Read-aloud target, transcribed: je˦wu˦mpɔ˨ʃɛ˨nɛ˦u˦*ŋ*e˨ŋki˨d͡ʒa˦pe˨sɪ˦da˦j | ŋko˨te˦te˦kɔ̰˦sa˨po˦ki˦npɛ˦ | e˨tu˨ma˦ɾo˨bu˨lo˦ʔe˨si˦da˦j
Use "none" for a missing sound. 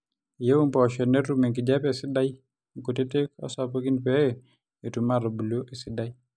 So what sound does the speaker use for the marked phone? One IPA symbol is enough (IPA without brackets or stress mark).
m